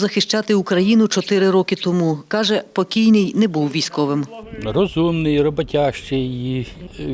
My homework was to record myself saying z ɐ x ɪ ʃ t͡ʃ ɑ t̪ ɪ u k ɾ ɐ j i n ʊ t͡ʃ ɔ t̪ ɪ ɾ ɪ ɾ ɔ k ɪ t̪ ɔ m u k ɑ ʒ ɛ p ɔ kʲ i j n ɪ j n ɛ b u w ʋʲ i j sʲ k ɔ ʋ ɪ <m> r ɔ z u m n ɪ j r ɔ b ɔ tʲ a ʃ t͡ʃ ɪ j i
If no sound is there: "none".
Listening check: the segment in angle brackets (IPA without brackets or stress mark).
m